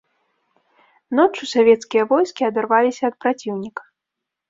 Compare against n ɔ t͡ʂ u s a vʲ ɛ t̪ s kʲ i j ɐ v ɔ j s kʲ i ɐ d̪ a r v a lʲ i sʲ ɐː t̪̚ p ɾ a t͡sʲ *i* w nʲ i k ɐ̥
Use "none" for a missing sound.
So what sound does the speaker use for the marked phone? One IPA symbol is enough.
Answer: i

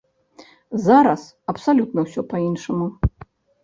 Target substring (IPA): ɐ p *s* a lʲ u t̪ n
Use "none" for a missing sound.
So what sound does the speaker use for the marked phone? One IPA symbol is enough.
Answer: s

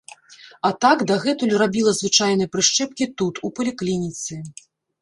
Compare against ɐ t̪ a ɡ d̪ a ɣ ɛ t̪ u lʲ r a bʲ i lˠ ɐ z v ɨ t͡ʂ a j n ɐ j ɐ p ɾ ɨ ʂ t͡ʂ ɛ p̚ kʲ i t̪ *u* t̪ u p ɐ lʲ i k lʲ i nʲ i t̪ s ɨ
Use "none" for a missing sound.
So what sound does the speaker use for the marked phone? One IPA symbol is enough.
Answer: u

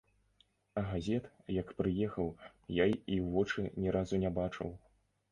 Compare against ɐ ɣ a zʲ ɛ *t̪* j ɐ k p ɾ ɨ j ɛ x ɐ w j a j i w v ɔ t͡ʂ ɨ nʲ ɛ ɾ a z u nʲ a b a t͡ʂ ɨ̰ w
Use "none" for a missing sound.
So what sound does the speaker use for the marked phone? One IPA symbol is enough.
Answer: t̪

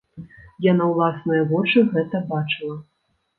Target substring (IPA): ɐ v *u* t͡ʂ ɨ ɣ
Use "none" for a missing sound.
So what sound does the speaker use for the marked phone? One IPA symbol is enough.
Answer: ɔ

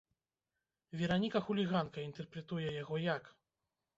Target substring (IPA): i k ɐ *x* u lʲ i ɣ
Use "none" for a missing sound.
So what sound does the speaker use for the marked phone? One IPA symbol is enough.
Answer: x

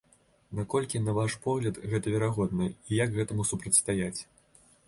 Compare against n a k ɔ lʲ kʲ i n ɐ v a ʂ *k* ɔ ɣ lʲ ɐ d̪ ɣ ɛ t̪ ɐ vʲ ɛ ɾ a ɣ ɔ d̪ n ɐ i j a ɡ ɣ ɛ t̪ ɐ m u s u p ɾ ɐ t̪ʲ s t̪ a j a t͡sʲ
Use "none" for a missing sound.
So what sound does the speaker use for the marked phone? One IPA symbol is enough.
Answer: p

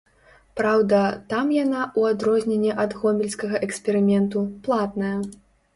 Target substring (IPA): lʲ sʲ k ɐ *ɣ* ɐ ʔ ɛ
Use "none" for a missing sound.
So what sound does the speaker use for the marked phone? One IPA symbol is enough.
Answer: ɣ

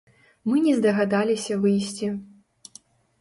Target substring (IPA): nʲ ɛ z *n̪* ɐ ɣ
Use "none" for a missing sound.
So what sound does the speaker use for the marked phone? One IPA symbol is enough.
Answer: d̪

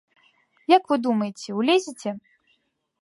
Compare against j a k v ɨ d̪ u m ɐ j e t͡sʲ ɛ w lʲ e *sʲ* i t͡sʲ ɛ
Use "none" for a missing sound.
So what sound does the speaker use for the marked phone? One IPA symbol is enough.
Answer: zʲ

